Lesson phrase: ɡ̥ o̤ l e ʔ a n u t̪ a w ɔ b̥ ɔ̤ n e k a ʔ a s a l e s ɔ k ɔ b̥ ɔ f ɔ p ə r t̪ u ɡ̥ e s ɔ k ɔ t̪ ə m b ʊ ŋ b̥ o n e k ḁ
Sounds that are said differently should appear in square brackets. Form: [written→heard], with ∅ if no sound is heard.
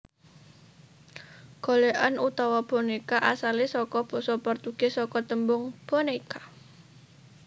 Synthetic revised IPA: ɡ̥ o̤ l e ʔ a n u t̪ a w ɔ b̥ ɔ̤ n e k a ʔ a s a l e s ɔ k ɔ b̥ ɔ [f→s] ɔ p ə r t̪ u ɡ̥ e s ɔ k ɔ t̪ ə m b ʊ ŋ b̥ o n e k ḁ